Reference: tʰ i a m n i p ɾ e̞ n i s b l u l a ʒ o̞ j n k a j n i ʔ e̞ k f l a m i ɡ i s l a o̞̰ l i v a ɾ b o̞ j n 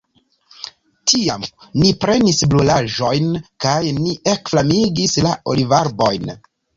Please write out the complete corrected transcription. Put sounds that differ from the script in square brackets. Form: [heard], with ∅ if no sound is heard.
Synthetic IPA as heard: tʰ i a m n i p ɾ e̞ n i s b l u l a ʒ o̞ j n k a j n i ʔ e̞ k f l a m i ɡ i s l a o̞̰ l i v a ɾ b o̞ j n